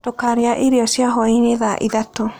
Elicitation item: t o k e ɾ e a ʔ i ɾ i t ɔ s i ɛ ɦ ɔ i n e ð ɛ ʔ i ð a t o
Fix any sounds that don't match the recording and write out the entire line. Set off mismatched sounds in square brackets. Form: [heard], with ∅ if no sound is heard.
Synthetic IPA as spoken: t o k [a] ɾ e a ʔ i ɾ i [∅] ɔ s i [a] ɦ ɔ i n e ð [a] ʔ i ð a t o